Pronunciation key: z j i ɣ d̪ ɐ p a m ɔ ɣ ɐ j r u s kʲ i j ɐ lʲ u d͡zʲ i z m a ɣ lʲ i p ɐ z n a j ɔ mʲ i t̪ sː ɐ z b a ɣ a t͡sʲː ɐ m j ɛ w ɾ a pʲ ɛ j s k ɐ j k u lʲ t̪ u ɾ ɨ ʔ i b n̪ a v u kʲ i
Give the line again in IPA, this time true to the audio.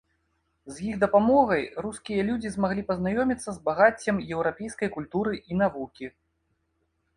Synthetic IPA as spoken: z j i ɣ d̪ ɐ p a m ɔ ɣ ɐ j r u s kʲ i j ɐ lʲ u d͡zʲ i z m a ɣ lʲ i p ɐ z n a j ɔ mʲ i t̪ sː ɐ z b a ɣ a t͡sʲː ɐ m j ɛ w ɾ a pʲ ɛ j s k ɐ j k u lʲ t̪ u ɾ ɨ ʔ i n̪ a v u kʲ i

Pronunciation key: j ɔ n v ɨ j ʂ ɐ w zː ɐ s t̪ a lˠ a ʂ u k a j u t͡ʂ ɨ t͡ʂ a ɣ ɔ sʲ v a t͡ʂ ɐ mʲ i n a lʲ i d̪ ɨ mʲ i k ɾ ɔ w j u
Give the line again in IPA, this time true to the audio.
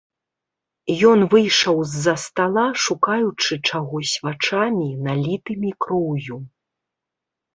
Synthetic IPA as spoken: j ɔ n v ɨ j ʂ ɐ w zː ɐ s t̪ a lˠ a ʂ u k a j u t͡ʂ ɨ t͡ʂ a ɣ ɔ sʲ v a t͡ʂ a mʲ i n a lʲ i t̪ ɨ mʲ i k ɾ ɔ w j u

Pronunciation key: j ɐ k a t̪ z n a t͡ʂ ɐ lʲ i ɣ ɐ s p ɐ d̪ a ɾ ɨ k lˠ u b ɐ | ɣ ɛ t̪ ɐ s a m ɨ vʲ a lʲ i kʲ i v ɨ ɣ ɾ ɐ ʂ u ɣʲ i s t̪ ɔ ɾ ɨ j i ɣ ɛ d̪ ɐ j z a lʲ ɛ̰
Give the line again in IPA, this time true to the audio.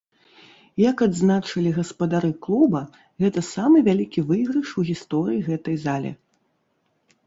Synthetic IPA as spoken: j ɐ k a d̪ z n a t͡ʂ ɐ lʲ i ɣ ɐ s p ɐ d̪ a ɾ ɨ k lˠ u b ɐ | ɣ ɛ t̪ ɐ s a m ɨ vʲ a lʲ i kʲ i v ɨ ɣ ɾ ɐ ʂ u ɣʲ i s t̪ ɔ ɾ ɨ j i ɣ ɛ t̪ ɐ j z a lʲ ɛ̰

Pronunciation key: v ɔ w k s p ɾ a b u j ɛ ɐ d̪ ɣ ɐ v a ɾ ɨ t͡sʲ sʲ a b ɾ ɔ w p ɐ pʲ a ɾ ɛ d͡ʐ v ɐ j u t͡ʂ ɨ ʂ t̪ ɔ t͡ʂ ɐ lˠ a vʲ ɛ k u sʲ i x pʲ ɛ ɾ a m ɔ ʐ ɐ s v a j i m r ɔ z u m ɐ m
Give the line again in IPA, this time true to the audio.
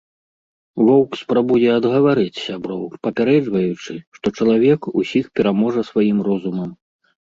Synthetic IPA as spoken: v ɔ w k s p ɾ a b u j ɛ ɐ d̪ ɣ ɐ v a ɾ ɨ t͡sʲ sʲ a b ɾ ɔ w p ɐ pʲ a ɾ ɛ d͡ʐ v ɐ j u t͡ʂ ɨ ʂ t̪ ɔ t͡ʂ ɐ lˠ a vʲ ɛ k u sʲ i x pʲ ɛ ɾ a m ɔ ʐ ɐ s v a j i m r ɔ z u m ɐ m

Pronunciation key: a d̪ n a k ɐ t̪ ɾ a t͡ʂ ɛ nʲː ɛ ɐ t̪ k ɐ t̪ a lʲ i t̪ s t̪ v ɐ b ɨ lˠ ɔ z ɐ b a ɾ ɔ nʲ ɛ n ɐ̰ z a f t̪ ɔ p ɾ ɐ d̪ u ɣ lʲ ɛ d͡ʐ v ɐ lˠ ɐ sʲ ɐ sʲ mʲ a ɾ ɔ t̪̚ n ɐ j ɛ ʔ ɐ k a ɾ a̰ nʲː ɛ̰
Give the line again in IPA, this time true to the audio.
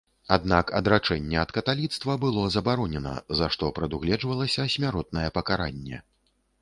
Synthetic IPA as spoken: a d̪ n a k ɐ d̪ ɾ a t͡ʂ ɛ nʲː ɛ ɐ t̪ k ɐ t̪ a lʲ i t̪ s t̪ v ɐ b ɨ lˠ ɔ z ɐ b a ɾ ɔ nʲ ɛ n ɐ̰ z a ʂ t̪ ɔ p ɾ ɐ d̪ u ɣ lʲ ɛ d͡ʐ v ɐ lˠ ɐ sʲ ɐ sʲ mʲ a ɾ ɔ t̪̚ n ɐ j ɛ p ɐ k a ɾ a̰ nʲː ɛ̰

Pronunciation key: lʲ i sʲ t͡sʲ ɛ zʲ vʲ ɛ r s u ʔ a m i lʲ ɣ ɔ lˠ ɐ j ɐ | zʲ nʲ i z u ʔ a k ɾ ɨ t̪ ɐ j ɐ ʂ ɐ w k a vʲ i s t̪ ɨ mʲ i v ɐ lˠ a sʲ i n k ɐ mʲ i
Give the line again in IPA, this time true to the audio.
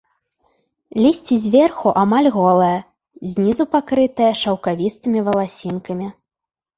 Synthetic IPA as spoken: lʲ i sʲ t͡sʲ i zʲ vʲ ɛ r x u ʔ a m a lʲ ɣ ɔ lˠ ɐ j ɐ | zʲ nʲ i z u p a k ɾ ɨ t̪ ɐ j ɐ ʂ ɐ w k a vʲ i s t̪ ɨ mʲ i v ɐ lˠ a sʲ i n k ɐ mʲ i

